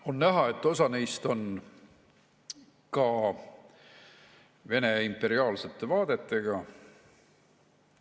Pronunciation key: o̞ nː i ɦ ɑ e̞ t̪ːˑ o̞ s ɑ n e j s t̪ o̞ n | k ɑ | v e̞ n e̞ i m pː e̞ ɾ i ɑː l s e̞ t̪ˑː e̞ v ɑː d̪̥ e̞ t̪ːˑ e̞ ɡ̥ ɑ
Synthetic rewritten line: o̞ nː æ ɦ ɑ e̞ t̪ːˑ o̞ s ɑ n e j s t̪ o̞ n | k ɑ | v e̞ n e̞ i m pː e̞ ɾ i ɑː l s e̞ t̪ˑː e̞ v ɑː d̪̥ e̞ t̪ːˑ e̞ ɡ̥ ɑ

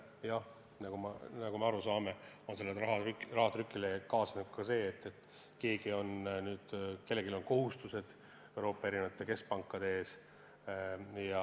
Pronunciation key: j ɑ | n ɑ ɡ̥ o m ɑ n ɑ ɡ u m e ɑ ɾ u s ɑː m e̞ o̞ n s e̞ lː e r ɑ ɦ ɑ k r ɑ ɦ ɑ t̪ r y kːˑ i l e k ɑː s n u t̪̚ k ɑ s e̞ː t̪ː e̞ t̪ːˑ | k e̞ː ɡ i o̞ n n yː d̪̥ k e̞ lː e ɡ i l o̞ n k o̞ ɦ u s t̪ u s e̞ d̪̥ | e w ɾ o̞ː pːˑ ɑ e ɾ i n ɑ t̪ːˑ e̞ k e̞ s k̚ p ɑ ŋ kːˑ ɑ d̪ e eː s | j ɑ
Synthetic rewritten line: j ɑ | n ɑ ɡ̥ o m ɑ n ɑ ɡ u m e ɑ ɾ u s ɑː m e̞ o̞ n s e̞ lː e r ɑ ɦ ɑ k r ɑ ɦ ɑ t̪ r y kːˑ i l e k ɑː s n u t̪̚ k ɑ s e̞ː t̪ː e̞ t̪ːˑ | k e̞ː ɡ i o̞ n n yː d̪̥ k e̞ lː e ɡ i l o̞ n k o̞ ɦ u s t̪ u s e̞ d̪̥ | e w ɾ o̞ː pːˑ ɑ e ɾ i n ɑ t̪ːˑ e̞ k e̞ s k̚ p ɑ ŋ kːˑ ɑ d̪ e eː s | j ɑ

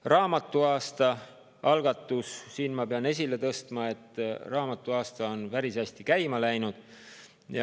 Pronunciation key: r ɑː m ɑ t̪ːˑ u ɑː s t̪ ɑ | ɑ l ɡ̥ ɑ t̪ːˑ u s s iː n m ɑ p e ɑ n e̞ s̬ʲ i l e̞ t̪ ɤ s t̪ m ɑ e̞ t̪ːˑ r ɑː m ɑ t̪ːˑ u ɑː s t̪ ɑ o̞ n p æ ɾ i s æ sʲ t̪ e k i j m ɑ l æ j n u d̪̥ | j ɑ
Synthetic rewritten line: r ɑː m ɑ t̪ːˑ u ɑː s t̪ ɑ | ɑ l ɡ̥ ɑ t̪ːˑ u s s iː n m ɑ p e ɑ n e̞ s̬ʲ i l e̞ t̪ ɤ s t̪ m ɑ e̞ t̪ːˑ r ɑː m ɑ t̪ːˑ u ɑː s t̪ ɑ o̞ n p æ ɾ i s æ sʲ t̪ i k æ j m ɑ l æ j n u d̪̥ | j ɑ

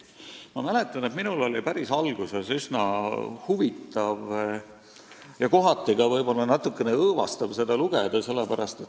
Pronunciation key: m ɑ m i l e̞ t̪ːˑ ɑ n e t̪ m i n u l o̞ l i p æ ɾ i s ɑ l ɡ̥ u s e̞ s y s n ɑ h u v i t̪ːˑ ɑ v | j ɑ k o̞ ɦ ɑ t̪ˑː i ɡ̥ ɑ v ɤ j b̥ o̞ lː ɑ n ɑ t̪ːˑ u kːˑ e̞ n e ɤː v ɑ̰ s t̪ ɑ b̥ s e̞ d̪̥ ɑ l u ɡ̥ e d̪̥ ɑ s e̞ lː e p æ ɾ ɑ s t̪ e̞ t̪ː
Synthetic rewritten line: m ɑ m æ l e̞ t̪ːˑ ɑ n e t̪ m i n u l o̞ l i p æ ɾ i s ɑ l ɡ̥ u s e̞ s y s n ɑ h u v i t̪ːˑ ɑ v | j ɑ k o̞ ɦ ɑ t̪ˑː i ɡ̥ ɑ v ɤ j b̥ o̞ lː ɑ n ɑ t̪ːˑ u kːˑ e̞ n e ɤː v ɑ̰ s t̪ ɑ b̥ s e̞ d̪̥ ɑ l u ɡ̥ e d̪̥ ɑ s e̞ lː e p æ ɾ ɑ s t̪ e̞ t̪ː

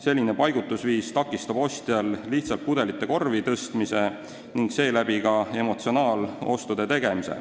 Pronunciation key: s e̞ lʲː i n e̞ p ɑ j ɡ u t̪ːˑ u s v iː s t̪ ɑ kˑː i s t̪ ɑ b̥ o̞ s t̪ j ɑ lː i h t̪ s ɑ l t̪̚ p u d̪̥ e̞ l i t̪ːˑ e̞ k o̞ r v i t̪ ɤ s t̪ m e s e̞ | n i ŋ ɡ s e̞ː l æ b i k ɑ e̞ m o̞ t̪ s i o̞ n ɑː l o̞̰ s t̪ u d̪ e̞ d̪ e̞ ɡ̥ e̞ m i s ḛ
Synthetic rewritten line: s e̞ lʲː i n e̞ p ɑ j ɡ u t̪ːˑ u s v iː s t̪ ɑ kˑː i s t̪ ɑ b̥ o̞ s t̪ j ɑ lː i h t̪ s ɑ l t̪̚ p u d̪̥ e̞ l i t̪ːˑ e̞ k o̞ r v i t̪ ɤ s t̪ m i s e̞ | n i ŋ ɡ s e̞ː l æ b i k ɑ e̞ m o̞ t̪ s i o̞ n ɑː l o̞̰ s t̪ u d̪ e̞ t̪ e̞ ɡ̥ e̞ m i s ḛ

